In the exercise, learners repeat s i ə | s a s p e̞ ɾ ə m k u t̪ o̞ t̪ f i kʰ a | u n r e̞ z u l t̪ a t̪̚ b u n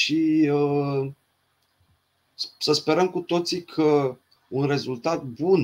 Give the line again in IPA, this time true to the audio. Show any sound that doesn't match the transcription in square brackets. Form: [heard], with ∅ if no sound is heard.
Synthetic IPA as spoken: [ʃ] i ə | s [ə] s p e̞ ɾ ə m k u t̪ o̞ t̪ [s] i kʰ [ə] | u n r e̞ z u l t̪ a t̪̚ b u n